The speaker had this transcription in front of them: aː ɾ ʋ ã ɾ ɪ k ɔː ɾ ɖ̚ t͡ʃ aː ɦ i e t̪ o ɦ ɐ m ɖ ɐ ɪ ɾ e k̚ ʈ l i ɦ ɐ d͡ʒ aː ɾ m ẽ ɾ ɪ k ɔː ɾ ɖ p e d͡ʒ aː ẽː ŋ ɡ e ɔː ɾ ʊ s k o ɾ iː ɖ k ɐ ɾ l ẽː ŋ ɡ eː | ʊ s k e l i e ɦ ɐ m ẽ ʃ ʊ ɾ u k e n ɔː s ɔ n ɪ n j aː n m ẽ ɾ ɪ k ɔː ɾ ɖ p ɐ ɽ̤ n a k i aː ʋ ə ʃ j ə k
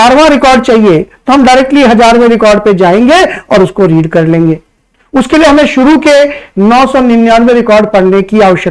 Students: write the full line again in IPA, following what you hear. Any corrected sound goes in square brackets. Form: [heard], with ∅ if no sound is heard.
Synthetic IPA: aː ɾ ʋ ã ɾ ɪ k ɔː ɾ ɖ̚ t͡ʃ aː ɦ i e t̪ o ɦ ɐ m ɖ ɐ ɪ ɾ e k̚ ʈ l i ɦ ɐ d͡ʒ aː ɾ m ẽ ɾ ɪ k ɔː ɾ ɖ p e d͡ʒ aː ẽː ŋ ɡ e ɔː ɾ ʊ s k o ɾ iː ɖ k ɐ ɾ l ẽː ŋ ɡ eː | ʊ s k e l i e ɦ ɐ m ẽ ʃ ʊ ɾ u k e n ɔː s ɔ n ɪ n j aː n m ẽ ɾ ɪ k ɔː ɾ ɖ p ɐ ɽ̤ n [e] k i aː ʋ ə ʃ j ə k